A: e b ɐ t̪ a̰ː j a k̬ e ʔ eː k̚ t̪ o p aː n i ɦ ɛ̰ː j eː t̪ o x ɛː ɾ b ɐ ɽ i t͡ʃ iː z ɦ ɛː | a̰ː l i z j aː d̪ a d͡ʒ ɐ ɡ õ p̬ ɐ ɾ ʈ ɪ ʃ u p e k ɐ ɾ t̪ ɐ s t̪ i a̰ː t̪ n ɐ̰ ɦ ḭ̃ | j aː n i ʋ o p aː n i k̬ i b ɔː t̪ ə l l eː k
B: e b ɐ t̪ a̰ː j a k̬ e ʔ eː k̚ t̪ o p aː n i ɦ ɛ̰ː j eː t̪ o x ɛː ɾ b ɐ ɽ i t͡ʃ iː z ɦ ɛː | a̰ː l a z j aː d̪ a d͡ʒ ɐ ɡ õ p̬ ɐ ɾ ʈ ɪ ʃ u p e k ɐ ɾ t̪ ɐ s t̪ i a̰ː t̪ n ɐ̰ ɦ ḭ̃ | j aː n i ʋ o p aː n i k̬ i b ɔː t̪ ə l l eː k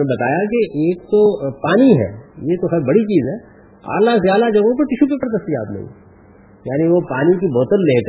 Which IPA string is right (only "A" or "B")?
B